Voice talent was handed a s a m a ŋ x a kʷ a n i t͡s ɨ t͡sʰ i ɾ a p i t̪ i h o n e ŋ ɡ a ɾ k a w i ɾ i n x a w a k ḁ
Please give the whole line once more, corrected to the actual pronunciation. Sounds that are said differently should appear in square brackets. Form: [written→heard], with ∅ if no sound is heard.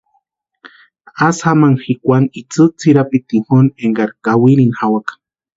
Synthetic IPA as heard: a s a m a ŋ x [a→i] kʷ a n i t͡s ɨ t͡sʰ i ɾ a p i t̪ i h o n e ŋ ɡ a ɾ k a w i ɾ i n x a w a k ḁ